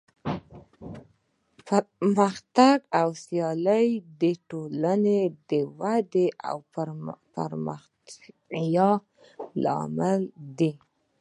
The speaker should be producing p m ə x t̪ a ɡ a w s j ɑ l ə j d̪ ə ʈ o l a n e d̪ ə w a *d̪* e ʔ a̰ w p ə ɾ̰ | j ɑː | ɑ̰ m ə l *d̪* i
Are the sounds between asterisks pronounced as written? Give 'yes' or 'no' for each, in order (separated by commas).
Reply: yes, yes